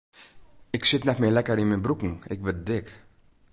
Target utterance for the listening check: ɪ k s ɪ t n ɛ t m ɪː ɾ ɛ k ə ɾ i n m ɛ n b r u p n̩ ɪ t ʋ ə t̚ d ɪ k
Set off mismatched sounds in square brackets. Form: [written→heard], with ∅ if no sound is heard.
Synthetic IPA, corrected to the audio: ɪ k s ɪ t n ɛ t m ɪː [ɾ→l] ɛ k ə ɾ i n m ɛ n b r u [p→k] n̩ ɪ [t→k] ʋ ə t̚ d ɪ k

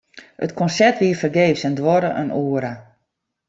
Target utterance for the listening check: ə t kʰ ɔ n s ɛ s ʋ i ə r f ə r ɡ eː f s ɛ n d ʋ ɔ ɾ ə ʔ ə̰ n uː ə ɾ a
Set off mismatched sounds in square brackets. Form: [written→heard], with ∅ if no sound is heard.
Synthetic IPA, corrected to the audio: ə t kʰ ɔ n s ɛ [s→t] ʋ i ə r f ə r ɡ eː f s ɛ n d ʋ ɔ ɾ ə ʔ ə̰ n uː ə ɾ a

